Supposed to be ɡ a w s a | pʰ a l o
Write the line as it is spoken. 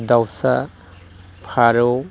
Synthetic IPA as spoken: d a w s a | pʰ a ɾ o